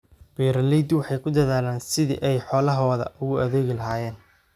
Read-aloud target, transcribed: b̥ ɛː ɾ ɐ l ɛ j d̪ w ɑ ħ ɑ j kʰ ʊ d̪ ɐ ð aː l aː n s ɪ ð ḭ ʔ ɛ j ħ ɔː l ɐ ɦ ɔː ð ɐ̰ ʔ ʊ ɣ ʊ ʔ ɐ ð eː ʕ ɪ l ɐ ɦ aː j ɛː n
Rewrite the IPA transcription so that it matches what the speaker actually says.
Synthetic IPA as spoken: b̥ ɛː ɾ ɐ l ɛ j d̪ w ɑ ħ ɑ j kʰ ʊ d̪ ɐ ð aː l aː n s ɪ ð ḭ ʔ ɛ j ħ ɔː l ɐ ɦ ɔː ð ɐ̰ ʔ ʊ ɣ ʊ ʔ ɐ ð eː ɣ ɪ l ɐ ɦ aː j ɛː n

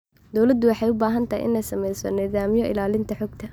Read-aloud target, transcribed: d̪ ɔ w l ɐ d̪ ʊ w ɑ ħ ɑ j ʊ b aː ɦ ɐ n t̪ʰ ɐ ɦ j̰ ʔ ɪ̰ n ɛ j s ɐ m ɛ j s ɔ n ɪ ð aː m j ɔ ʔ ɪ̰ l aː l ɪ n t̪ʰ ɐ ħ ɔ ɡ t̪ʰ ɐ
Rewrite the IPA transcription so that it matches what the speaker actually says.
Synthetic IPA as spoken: d̪ ɔ w l ɐ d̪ ʊ w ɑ ħ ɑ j ʊ b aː ɦ ɐ n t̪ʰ ɐ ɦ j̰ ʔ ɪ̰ n ɛ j s ɐ m ɛ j s ɔ n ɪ ð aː m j ɔ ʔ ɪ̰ l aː l ɪ n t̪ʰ ɐ ħ ɔ ɡ t̪ʰ ɐ

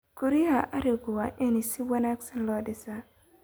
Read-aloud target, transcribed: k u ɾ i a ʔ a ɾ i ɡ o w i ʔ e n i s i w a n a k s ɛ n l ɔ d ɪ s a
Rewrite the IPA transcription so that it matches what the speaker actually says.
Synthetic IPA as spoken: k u ɾ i a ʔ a ɾ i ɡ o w a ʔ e n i s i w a n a k s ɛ n l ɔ d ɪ s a

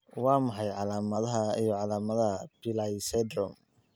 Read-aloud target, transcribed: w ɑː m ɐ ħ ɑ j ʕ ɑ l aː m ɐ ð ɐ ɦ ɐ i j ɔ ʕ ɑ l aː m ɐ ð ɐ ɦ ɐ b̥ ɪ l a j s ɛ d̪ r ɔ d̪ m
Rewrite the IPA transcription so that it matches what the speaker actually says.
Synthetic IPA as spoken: w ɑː m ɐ ħ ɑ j ʕ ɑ l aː m ɐ ð ɐ ɦ ɐ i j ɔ ʕ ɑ l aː m ɐ ð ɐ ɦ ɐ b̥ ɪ l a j s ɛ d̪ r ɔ m

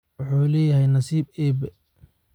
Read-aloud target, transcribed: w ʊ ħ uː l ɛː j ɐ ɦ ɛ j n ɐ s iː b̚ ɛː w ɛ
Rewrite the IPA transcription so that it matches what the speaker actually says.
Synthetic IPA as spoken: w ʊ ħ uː l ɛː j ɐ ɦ ɛ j n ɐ s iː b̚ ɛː b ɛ

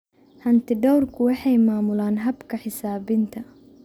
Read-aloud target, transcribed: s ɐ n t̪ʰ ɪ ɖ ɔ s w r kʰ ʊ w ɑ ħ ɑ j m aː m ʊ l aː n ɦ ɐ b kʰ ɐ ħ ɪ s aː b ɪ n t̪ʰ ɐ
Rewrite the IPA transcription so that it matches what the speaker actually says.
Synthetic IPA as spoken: h ɐ n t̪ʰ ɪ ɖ ɔ w r kʰ ʊ w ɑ ħ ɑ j m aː m ʊ l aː n ɦ ɐ b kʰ ɐ ħ ɪ s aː b ɪ n t̪ʰ ɐ

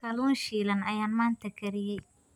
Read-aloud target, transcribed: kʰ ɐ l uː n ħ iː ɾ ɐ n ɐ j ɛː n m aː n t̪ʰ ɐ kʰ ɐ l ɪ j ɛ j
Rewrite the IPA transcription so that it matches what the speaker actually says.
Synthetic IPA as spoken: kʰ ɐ l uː n ʃ iː l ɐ n ɐ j aː n m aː n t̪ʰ ɐ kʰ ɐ ɾ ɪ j ɛ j

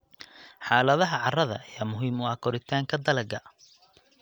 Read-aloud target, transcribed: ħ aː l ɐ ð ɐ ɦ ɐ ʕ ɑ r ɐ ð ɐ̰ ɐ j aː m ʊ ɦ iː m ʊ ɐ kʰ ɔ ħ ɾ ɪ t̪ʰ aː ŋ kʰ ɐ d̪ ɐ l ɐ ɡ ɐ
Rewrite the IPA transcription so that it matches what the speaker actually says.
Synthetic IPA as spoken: ħ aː l ɐ ð ɐ ɦ ɐ ʕ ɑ r ɐ ð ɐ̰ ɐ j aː m ʊ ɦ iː m ʊ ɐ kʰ ɔ ɾ ɪ t̪ʰ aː ŋ kʰ ɐ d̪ ɐ l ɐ ɡ ɐ

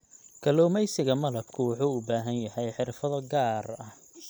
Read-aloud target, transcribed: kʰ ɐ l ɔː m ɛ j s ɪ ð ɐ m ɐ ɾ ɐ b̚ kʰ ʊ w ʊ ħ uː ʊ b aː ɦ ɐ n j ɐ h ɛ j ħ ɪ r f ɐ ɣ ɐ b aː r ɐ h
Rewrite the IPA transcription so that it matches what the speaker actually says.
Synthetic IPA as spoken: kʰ ɐ l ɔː m ɛ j s ɪ ɣ ɐ m ɐ l ɐ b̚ kʰ ʊ w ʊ ħ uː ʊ b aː ɦ ɐ n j ɐ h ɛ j ħ ɪ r f ɐ ð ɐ ɡ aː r ɐ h

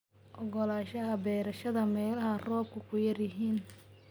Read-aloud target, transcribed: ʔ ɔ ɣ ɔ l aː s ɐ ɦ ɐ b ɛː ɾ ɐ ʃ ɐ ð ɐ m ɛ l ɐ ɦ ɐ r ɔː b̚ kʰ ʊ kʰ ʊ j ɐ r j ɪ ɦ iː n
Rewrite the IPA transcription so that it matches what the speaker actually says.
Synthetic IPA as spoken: ʔ ɔ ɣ ɔ l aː ʃ ɐ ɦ ɐ b ɛː ɾ ɐ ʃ ɐ ð ɐ m ɛː l ɐ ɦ ɐ r ɔː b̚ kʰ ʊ kʰ ʊ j ɐ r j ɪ ɦ iː n

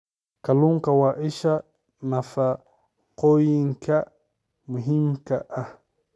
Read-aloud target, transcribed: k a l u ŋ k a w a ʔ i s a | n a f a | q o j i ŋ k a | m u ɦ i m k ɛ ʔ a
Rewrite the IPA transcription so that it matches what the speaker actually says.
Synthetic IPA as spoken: k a l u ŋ k a w a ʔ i ʃ a | n a f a | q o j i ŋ k a | m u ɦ i m k a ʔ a

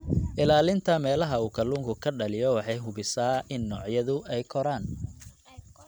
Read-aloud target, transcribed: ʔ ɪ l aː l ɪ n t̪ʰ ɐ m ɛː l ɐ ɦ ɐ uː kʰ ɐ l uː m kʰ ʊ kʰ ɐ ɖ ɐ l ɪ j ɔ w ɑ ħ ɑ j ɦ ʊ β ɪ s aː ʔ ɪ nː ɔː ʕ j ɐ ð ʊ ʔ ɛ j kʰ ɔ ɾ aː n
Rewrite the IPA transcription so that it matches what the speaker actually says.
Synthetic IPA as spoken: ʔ ɪ l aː l ɪ n t̪ʰ ɐ m ɛː l ɐ ɦ ɐ uː kʰ ɐ l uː ŋ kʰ ʊ kʰ ɐ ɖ ɐ l ɪ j ɔ w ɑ ħ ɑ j ɦ ʊ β ɪ s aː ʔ ɪ nː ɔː ʕ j ɐ ð ʊ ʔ ɛ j kʰ ɔ ɾ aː n

